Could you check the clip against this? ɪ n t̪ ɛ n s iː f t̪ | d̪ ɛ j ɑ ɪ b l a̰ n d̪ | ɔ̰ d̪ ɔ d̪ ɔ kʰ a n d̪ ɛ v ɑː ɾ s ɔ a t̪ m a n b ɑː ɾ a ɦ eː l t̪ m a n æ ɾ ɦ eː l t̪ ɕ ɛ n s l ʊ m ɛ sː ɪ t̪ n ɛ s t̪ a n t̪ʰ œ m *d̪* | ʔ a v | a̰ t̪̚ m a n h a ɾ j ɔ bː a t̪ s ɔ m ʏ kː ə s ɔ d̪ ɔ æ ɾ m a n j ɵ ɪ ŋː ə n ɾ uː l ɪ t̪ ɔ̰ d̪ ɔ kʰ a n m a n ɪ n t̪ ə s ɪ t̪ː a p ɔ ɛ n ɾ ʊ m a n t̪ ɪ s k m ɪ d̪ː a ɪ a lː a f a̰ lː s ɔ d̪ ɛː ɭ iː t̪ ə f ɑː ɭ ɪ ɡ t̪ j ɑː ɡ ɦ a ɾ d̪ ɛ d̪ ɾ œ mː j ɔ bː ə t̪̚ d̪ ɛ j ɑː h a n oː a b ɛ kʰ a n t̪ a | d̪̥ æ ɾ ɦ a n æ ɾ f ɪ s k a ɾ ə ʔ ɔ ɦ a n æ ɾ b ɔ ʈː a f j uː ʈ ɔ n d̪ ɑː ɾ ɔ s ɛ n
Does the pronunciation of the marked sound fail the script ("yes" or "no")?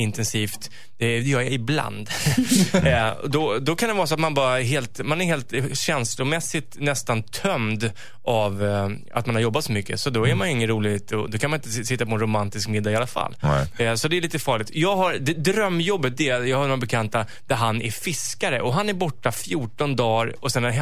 no